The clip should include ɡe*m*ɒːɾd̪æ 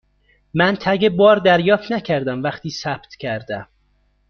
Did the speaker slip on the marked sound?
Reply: yes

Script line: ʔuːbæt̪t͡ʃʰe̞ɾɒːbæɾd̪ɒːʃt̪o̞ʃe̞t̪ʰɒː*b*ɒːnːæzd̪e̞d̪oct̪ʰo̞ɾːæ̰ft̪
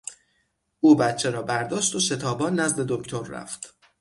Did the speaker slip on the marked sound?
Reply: no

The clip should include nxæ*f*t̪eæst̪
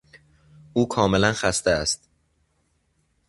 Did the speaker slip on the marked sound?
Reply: yes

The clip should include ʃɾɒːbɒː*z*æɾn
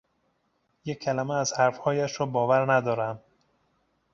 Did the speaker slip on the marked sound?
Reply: yes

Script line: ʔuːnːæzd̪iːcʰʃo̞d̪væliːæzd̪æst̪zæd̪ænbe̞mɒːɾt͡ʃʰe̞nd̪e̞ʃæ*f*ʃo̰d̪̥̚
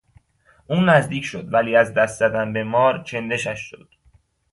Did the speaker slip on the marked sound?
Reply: yes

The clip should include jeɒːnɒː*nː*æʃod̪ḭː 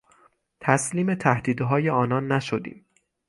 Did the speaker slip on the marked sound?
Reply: no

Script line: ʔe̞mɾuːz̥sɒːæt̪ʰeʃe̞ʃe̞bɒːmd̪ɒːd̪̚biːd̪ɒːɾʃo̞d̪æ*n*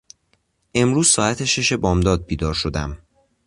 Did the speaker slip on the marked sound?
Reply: yes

